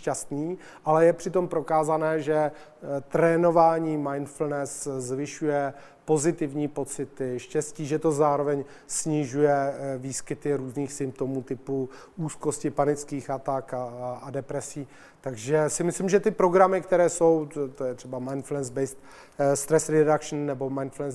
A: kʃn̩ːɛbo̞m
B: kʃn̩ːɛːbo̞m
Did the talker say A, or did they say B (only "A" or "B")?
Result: A